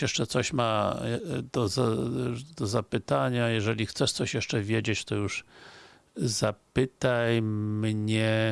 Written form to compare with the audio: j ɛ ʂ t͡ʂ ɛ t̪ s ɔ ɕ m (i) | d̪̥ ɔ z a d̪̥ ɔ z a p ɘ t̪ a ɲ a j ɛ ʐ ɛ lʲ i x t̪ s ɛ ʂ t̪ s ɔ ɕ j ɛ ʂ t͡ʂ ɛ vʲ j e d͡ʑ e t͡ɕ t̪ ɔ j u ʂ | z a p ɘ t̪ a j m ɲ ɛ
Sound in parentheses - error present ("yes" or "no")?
yes